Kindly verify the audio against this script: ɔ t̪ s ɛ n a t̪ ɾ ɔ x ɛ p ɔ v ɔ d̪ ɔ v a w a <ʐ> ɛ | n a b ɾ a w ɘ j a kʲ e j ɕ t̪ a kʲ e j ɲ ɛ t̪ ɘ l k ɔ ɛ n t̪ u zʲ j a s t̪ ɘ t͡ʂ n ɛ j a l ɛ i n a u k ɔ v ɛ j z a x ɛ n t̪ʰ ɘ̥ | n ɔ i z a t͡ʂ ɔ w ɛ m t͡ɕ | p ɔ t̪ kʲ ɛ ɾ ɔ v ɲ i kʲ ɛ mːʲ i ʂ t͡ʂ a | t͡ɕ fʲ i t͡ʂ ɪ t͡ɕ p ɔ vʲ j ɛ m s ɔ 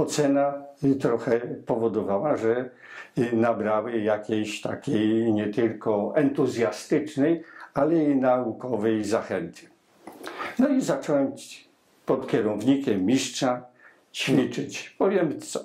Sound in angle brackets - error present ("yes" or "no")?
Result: no